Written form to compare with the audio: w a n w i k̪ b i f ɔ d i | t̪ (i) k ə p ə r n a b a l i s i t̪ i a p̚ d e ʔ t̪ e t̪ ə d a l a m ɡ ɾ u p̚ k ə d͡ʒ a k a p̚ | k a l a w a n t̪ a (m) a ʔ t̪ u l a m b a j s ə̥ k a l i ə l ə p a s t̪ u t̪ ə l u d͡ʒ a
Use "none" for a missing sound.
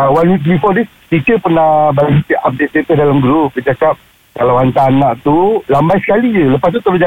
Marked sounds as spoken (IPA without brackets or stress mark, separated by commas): i, n